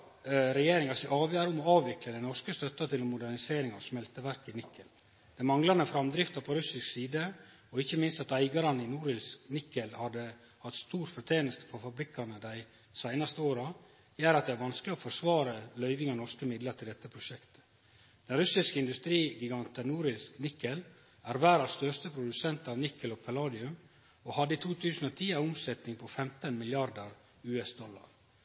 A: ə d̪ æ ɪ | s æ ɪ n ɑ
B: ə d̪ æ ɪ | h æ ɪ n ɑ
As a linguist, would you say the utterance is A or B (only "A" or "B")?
A